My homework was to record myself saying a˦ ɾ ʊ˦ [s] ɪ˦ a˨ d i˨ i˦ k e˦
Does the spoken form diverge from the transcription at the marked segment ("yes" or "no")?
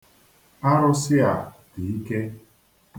no